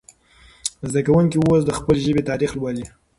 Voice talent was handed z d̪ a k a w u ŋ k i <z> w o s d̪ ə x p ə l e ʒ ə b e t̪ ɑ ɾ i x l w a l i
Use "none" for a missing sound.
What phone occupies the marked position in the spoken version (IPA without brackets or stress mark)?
none